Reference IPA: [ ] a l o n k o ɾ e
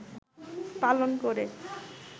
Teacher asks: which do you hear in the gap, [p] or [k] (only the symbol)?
p